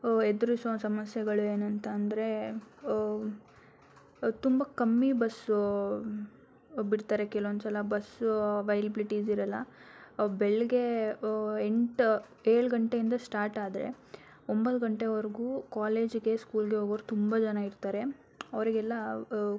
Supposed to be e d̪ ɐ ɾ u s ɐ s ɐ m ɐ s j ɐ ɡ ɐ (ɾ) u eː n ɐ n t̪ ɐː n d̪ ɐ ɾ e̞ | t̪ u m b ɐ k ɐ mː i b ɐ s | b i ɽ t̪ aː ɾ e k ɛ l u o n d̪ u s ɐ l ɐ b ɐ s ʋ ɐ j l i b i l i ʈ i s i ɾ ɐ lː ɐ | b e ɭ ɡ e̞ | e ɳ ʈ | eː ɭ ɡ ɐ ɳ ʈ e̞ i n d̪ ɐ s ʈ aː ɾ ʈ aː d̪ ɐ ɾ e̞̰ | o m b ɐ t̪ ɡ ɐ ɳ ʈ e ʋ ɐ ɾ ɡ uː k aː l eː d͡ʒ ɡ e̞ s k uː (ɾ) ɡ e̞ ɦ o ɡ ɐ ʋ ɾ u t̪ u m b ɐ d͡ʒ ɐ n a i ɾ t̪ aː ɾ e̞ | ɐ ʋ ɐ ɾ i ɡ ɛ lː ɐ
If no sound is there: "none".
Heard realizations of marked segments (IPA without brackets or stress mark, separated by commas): ɭ, l